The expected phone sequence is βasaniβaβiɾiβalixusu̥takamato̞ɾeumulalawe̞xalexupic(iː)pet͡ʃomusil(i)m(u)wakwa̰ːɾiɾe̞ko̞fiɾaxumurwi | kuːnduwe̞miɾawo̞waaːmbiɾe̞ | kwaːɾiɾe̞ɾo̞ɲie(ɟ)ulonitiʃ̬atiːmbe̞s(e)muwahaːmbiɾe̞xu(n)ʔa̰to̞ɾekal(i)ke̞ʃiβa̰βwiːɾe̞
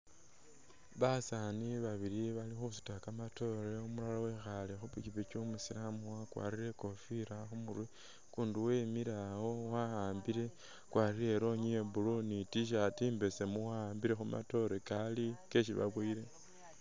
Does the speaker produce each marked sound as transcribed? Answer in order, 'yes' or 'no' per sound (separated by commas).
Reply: no, no, yes, no, yes, no, yes